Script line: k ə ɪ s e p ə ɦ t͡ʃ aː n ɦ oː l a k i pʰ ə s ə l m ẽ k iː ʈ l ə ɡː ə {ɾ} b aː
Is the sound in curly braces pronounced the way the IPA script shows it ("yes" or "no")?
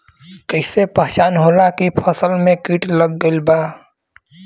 no